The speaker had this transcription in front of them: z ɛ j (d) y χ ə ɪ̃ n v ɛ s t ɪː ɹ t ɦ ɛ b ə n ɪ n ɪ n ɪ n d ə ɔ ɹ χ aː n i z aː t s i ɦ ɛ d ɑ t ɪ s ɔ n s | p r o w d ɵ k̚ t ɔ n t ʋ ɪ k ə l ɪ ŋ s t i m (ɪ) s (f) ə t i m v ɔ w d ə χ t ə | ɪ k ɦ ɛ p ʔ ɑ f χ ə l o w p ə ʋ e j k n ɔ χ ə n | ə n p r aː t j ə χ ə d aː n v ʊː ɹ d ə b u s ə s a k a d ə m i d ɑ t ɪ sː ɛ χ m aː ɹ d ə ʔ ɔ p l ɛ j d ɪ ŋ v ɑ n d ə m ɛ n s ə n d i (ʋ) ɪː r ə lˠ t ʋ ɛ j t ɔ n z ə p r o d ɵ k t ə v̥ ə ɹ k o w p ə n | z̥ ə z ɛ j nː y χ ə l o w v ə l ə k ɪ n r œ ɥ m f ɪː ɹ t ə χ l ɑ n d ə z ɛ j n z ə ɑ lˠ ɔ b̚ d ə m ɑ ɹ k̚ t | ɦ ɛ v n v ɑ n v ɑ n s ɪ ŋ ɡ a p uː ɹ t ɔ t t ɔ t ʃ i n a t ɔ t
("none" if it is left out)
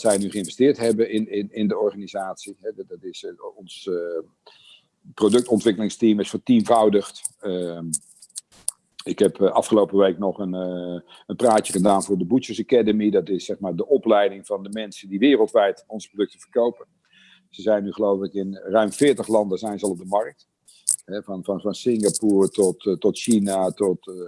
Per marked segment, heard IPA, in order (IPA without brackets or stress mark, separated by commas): n, ɪ, f, ʋ